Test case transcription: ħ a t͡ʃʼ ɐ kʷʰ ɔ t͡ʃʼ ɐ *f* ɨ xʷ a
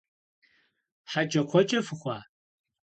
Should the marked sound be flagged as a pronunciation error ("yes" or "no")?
no